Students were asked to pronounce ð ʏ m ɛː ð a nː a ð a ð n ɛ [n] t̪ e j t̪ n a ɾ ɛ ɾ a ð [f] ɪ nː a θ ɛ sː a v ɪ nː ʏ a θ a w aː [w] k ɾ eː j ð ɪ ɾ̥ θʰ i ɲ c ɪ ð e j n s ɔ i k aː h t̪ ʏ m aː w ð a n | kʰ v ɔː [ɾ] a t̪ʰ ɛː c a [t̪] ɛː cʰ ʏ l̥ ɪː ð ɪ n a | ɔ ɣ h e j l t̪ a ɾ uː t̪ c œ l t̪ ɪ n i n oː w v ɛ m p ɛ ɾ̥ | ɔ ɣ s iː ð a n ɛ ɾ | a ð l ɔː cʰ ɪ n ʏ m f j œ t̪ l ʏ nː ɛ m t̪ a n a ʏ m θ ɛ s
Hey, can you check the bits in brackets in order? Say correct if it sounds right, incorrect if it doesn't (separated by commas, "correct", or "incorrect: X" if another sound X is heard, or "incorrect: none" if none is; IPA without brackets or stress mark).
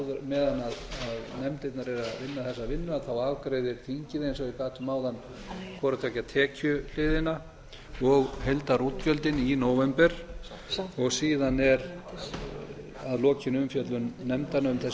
incorrect: m, incorrect: v, incorrect: v, correct, incorrect: t̪ʰ